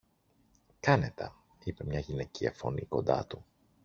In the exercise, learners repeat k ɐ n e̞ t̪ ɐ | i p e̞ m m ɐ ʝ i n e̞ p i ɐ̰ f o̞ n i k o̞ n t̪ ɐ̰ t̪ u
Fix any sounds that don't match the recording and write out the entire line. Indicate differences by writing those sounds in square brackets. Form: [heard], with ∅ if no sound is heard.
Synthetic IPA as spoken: k ɐ n e̞ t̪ ɐ | i p e̞ m [ɲ] ɐ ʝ i n e̞ [c] i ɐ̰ f o̞ n i k o̞ n [d̪] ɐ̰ t̪ u

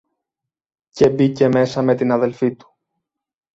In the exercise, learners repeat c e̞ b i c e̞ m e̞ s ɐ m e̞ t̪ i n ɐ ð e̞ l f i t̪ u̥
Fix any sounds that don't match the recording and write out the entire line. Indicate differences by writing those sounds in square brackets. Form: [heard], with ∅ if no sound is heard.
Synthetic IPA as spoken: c e̞ b i c e̞ m e̞ s ɐ m e̞ t̪ i n ɐ ð e̞ l f i t̪ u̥

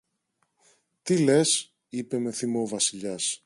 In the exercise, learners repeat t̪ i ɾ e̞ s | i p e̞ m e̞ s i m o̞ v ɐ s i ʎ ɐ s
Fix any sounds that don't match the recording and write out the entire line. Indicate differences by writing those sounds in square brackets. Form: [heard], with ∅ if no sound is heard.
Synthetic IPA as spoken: t̪ i [l] e̞ s | i p e̞ m e̞ [θ] i m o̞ v ɐ s i ʎ ɐ s

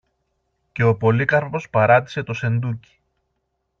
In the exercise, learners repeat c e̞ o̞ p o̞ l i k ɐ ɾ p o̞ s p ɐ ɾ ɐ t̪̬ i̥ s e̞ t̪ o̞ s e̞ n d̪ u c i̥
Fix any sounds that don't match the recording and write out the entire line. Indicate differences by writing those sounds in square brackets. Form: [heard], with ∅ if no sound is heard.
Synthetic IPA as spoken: c e̞ o̞ p o̞ l i k ɐ ɾ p o̞ s p ɐ ɾ ɐ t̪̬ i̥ s e̞ t̪ o̞ s e̞ n d̪ u c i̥

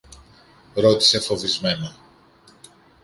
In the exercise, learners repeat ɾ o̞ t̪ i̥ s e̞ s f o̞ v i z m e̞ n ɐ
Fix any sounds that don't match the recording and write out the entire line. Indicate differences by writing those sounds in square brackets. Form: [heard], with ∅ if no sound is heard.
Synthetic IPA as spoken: ɾ o̞ t̪ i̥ s e̞ [∅] f o̞ v i z m e̞ n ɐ

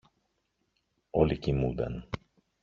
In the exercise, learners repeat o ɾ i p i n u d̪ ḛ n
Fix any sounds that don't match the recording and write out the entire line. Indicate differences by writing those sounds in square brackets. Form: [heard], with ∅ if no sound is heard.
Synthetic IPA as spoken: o [l] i [c] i [m] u d̪ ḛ n

